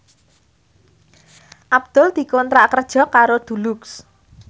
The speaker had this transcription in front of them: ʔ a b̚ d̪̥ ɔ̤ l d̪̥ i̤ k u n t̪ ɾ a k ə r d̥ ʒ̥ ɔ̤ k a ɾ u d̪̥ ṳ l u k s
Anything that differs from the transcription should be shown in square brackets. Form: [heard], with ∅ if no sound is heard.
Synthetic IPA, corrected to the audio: ʔ a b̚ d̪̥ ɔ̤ l d̪̥ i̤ k [ɔ] n t̪ ɾ a k ə r d̥ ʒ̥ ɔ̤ k a ɾ [o] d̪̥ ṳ l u k s